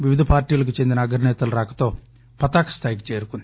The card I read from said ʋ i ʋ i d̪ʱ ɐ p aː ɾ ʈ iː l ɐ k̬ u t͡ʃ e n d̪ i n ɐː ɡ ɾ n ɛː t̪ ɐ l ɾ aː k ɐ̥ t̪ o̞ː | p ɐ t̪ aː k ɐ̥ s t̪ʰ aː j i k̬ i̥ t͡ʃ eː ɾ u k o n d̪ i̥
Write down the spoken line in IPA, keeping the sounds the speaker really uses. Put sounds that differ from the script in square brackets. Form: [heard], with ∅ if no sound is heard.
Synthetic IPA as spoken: ʋ i ʋ i d̪ʱ ɐ p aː ɾ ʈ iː l ɐ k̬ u t͡ʃ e n d̪ i n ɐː ɡ ɾ n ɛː t̪ ɐ l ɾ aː k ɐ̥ t̪ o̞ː | p ɐ t̪ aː k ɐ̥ s t̪ʰ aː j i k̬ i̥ t͡ʃ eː ɾ u k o n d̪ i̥